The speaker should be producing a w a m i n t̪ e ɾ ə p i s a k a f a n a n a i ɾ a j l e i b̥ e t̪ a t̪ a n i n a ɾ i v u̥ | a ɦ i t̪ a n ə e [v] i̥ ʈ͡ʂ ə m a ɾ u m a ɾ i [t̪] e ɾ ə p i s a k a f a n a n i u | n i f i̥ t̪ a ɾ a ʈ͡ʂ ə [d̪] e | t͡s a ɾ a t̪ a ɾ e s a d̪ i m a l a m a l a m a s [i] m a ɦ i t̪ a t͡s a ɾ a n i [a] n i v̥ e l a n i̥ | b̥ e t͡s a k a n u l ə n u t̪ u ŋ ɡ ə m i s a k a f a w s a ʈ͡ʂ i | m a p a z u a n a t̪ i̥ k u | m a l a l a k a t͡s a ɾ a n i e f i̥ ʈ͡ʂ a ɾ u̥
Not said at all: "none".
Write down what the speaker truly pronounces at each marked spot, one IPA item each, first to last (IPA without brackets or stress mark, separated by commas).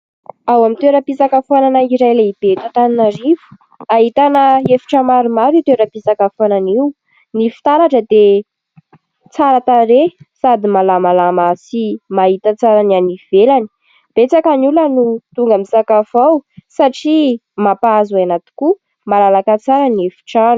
f, t̪, d̪, i, a